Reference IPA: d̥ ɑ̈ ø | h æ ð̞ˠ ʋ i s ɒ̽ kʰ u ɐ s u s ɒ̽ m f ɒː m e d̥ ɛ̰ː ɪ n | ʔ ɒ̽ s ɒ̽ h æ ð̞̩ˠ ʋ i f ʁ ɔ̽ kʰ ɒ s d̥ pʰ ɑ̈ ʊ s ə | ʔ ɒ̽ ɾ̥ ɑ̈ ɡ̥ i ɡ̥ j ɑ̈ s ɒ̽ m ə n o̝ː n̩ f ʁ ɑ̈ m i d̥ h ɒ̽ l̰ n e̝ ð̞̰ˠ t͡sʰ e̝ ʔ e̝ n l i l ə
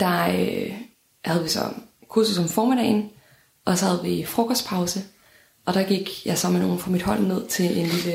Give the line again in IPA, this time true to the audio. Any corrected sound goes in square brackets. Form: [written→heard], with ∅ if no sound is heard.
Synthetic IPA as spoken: d̥ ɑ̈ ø | h æ ð̞ˠ ʋ i s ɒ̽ kʰ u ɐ s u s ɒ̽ m f ɒː m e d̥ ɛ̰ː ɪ n | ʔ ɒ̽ s ɒ̽ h æ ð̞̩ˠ ʋ i f ʁ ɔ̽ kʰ ɒ s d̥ pʰ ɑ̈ ʊ s ə | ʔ ɒ̽ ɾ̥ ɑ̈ ɡ̥ i ɡ̥ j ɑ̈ s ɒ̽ m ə n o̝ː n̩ f ʁ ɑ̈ m i d̥ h ɒ̽ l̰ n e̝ ð̞̰ˠ t͡sʰ e̝ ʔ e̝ n l i l ə